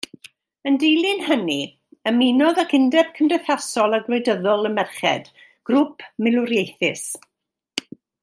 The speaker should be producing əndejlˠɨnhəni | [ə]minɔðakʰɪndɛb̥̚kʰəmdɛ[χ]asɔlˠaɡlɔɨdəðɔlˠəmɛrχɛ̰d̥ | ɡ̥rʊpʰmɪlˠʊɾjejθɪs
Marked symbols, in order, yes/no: yes, no

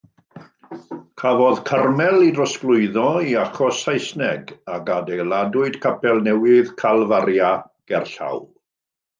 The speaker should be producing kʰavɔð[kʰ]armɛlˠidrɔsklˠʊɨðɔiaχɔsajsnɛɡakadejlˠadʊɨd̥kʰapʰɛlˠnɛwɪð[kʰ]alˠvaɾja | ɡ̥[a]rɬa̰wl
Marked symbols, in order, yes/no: yes, yes, no

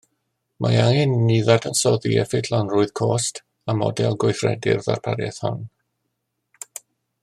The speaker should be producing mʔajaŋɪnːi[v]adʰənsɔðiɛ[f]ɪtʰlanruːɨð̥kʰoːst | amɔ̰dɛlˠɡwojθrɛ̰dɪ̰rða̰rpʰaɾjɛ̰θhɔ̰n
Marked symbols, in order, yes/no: no, yes

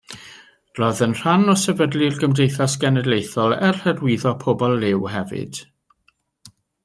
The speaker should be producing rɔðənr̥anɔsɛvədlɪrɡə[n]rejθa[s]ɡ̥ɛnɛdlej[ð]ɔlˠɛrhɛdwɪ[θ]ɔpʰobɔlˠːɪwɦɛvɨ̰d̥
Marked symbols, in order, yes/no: no, yes, no, no

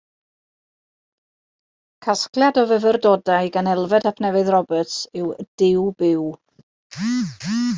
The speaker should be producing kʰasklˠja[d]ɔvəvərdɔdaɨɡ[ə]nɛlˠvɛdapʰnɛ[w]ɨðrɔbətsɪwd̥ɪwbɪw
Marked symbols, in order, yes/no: yes, no, no

